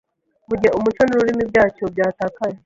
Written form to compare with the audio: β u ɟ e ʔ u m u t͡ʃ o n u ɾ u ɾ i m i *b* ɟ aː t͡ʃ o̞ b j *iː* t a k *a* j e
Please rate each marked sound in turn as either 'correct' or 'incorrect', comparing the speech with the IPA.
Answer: correct, incorrect, correct

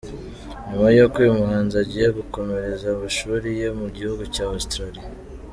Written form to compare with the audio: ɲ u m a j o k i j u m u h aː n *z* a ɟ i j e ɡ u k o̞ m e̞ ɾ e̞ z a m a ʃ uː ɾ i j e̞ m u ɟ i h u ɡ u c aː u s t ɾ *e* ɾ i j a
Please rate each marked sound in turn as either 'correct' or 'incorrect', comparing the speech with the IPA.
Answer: correct, incorrect

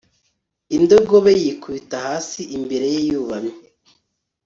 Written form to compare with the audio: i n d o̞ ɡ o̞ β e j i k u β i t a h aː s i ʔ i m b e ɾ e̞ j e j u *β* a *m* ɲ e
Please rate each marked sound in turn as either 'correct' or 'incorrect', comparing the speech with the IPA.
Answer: correct, correct

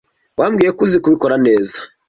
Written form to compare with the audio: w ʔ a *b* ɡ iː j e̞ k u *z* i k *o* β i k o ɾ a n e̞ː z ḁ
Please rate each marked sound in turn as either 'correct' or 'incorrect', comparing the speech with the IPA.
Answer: incorrect, correct, incorrect

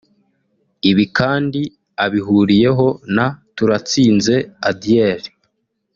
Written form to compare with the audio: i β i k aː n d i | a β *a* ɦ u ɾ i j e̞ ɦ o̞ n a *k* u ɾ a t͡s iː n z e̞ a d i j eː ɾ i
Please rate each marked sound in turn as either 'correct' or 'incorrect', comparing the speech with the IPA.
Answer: incorrect, incorrect

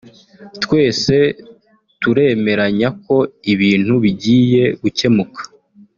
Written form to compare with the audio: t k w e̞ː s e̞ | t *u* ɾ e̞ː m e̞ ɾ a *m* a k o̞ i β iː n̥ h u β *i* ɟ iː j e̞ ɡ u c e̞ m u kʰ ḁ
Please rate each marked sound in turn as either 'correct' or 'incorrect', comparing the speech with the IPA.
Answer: correct, incorrect, correct

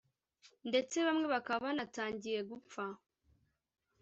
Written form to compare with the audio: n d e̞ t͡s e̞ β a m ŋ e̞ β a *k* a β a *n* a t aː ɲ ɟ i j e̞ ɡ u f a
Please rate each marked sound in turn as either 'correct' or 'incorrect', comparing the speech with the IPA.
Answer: correct, correct

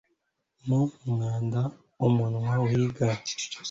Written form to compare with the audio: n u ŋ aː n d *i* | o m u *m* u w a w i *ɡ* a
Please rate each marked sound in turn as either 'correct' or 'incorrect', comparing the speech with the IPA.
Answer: incorrect, incorrect, correct

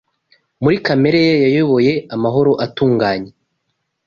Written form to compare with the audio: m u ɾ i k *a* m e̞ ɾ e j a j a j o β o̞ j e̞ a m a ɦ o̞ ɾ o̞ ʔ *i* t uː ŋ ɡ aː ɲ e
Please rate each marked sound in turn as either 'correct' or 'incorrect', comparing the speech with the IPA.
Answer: correct, incorrect

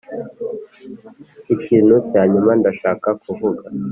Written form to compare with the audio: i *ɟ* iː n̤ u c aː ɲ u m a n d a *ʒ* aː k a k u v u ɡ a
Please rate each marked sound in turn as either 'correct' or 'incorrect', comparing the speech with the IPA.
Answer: incorrect, incorrect

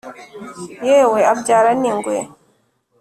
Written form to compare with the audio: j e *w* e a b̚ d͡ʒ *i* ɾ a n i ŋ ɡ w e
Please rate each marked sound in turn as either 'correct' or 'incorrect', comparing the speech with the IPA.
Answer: correct, incorrect

